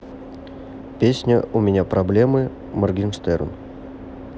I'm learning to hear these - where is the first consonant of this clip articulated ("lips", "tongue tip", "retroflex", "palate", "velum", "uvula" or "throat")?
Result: lips